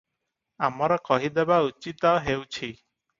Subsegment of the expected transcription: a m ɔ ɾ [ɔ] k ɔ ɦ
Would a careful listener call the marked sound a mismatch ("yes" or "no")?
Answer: no